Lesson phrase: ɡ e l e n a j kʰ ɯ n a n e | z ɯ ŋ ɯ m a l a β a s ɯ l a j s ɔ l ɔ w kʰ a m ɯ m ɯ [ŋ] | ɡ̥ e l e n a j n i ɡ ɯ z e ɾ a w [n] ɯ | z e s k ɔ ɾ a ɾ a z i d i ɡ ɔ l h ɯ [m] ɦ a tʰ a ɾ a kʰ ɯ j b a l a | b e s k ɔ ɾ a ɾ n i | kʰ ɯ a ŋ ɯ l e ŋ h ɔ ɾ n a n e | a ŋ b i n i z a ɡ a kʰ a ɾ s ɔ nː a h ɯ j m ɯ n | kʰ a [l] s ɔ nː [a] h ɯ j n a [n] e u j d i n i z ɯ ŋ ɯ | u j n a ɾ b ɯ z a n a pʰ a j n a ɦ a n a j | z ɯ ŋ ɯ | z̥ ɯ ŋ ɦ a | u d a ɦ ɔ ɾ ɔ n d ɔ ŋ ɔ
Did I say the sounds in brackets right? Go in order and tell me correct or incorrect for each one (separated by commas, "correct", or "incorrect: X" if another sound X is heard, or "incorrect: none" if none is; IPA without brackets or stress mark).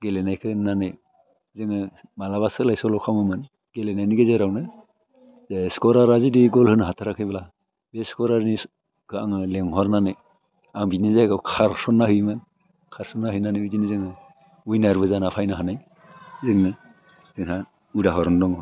incorrect: n, correct, incorrect: n, incorrect: ɾ, correct, correct